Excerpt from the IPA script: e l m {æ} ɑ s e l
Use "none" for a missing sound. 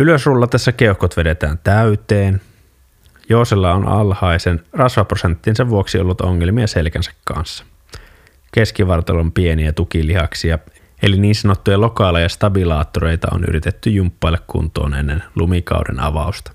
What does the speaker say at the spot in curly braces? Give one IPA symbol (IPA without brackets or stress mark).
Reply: i